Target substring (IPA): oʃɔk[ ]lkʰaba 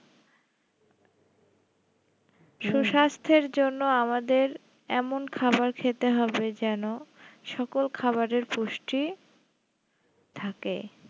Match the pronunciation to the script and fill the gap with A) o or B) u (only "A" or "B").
A